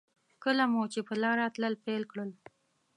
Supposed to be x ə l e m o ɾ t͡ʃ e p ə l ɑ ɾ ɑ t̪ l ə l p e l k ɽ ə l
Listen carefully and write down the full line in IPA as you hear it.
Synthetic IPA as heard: k ə l a m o t͡ʃ e p ə l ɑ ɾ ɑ t̪ l ə l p e l k ɽ ə l